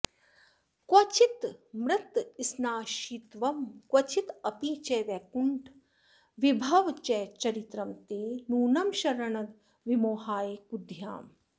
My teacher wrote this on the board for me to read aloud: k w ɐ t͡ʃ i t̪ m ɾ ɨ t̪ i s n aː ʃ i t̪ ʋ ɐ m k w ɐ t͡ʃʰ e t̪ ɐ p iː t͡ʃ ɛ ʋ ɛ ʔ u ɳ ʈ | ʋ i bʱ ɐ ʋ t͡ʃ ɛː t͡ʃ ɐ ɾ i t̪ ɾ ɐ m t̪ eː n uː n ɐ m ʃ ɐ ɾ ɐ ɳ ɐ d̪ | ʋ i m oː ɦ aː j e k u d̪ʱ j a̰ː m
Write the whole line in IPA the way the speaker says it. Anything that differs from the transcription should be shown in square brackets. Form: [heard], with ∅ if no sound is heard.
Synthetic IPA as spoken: k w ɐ t͡ʃ i t̪ m ɾ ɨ t̪ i s n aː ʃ i t̪ ʋ ɐ m k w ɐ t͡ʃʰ [i] t̪ ɐ p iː t͡ʃ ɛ ʋ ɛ [k] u ɳ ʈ | ʋ i bʱ ɐ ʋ t͡ʃ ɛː t͡ʃ ɐ ɾ i t̪ ɾ ɐ m t̪ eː n uː n ɐ m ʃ ɐ ɾ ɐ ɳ ɐ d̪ | ʋ i m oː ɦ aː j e k u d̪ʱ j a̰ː m

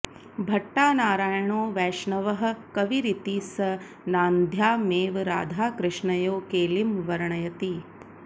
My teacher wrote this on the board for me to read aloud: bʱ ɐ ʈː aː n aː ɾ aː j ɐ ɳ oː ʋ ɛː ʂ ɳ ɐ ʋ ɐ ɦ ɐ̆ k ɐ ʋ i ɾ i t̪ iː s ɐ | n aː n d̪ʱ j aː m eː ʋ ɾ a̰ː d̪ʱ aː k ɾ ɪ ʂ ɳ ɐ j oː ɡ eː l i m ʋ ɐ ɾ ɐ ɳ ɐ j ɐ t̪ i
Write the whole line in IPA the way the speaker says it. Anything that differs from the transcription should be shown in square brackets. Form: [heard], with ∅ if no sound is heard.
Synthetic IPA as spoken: bʱ ɐ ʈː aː n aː ɾ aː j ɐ ɳ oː ʋ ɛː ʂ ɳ ɐ ʋ ɐ ɦ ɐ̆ k ɐ ʋ i ɾ i t̪ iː s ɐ | n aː n d̪ʱ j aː m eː ʋ ɾ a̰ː d̪ʱ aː k ɾ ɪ ʂ ɳ ɐ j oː [k] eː l i m ʋ ɐ ɾ ɐ ɳ ɐ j ɐ t̪ i

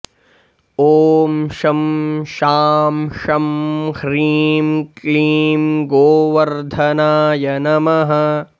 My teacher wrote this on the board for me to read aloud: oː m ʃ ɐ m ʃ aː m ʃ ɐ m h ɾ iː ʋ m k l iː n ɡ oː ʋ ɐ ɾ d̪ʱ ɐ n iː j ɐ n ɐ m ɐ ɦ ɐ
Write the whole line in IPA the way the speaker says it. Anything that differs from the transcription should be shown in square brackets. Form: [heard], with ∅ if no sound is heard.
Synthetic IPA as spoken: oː m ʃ ɐ m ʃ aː m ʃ ɐ m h ɾ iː [∅] m k l iː [m] ɡ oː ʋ ɐ ɾ d̪ʱ ɐ n [aː] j ɐ n ɐ m ɐ ɦ ɐ

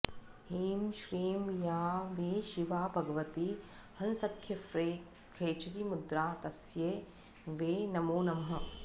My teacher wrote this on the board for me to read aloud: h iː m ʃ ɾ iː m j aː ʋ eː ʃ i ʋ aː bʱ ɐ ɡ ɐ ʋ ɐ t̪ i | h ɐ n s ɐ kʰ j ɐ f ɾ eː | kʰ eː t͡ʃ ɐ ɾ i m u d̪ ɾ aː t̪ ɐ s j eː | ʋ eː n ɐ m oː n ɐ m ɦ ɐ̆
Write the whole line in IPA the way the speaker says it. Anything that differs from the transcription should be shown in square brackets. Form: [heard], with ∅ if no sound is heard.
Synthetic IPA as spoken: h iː m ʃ ɾ iː m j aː ʋ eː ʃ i ʋ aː bʱ ɐ ɡ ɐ ʋ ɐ t̪ i | h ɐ n s ɐ kʰ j ɐ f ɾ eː | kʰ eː t͡ʃ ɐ ɾ i m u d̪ ɾ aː t̪ ɐ s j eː | ʋ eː n ɐ m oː n ɐ m ɦ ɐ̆

